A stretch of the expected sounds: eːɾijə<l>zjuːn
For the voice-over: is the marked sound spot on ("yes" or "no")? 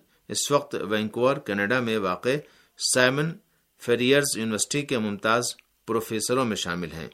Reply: no